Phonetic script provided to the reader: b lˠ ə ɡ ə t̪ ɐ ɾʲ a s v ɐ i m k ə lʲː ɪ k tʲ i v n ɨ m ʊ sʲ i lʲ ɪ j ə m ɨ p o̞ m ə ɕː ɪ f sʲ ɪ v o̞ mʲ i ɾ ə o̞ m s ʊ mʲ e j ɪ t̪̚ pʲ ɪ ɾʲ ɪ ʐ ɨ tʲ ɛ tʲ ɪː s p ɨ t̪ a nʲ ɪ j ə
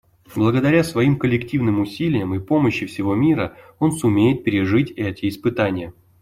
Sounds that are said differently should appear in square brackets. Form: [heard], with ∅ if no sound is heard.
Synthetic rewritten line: b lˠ ə ɡ ə [d̪] ɐ ɾʲ a s v ɐ i m k ə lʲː ɪ k tʲ i v n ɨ m ʊ sʲ i lʲ ɪ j ə m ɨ p o̞ m ə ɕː ɪ f sʲ ɪ v o̞ mʲ i ɾ ə o̞ [n] s ʊ mʲ e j ɪ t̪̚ pʲ ɪ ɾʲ ɪ ʐ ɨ tʲ ɛ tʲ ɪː s p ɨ t̪ a nʲ ɪ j ə